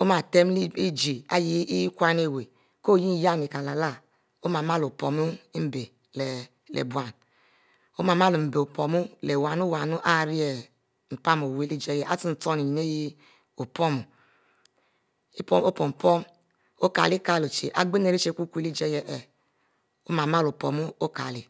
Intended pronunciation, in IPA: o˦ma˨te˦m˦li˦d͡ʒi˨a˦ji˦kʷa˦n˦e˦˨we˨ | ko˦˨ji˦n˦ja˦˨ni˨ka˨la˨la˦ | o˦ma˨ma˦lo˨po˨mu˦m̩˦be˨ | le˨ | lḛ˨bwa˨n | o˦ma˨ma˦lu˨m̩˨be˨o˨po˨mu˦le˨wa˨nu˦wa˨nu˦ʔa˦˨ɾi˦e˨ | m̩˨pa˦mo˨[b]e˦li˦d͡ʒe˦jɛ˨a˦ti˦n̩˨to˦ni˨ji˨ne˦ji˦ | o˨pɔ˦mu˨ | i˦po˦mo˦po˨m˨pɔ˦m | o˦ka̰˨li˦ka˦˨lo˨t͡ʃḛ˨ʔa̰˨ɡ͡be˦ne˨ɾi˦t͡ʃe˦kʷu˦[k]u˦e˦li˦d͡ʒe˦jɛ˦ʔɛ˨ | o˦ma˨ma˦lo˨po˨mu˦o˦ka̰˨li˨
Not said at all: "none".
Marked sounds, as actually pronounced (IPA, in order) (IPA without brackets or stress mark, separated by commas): w, k